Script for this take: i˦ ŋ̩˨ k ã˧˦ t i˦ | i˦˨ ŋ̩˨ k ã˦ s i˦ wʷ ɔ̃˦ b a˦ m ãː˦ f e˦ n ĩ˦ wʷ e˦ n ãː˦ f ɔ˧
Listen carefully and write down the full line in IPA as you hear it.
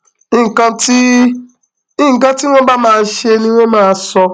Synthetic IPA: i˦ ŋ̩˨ k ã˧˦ t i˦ | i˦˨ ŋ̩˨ k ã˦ t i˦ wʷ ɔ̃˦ b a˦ m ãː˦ ʃ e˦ n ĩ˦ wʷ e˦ m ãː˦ s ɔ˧